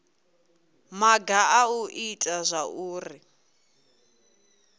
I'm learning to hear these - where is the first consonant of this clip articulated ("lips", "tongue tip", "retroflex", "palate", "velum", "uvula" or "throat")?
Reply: lips